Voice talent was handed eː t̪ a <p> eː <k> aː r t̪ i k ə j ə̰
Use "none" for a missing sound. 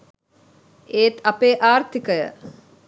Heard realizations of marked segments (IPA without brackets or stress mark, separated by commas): p, ʔ